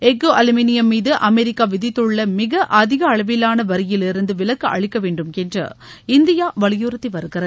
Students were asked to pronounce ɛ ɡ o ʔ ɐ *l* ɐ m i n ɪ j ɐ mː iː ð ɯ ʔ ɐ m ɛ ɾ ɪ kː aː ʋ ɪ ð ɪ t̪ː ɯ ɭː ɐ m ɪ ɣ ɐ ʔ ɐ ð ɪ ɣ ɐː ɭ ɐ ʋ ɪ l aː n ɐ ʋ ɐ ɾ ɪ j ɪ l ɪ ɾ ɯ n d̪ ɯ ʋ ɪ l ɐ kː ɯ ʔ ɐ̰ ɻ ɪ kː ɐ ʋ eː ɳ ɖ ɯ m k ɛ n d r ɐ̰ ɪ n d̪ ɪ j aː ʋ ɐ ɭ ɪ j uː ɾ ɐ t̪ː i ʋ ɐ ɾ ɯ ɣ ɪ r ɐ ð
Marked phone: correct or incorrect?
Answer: correct